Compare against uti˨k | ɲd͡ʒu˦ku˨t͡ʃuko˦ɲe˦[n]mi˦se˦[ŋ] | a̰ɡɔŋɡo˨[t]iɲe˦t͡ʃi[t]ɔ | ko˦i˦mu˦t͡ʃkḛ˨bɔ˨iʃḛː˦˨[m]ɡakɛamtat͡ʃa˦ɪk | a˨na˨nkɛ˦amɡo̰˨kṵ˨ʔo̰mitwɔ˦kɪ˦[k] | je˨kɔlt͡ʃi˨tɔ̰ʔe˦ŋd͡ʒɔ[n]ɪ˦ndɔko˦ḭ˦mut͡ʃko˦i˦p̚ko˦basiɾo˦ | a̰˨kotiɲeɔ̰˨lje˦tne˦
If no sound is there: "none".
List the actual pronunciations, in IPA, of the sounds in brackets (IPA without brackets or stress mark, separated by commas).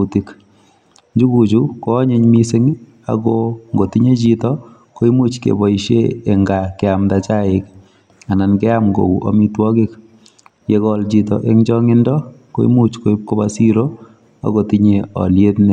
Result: ɲ, ŋ, t, t, ŋ, k, ŋ